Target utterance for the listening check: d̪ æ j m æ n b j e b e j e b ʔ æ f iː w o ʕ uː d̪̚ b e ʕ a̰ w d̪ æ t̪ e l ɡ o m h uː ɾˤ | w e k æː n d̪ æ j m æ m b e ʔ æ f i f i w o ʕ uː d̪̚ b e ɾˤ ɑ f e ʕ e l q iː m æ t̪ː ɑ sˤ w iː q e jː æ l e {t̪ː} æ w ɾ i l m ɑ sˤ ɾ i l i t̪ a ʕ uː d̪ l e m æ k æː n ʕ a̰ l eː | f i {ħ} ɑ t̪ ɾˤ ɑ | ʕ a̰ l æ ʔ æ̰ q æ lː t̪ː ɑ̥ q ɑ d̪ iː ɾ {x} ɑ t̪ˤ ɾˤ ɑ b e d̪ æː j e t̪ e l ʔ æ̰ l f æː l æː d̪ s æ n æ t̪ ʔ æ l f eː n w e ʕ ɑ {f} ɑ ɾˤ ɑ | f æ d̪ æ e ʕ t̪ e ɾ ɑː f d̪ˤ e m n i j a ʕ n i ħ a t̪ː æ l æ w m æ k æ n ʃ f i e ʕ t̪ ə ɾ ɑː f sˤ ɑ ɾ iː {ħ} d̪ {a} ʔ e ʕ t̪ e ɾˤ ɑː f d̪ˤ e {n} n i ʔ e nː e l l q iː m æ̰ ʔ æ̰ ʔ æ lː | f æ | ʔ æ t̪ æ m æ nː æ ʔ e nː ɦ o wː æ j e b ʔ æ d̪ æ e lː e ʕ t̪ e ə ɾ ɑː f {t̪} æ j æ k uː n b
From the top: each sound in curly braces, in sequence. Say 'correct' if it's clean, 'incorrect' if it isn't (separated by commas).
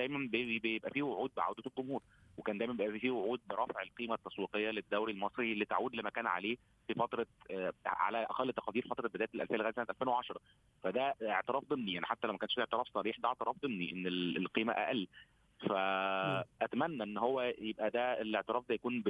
incorrect, incorrect, incorrect, incorrect, correct, incorrect, incorrect, incorrect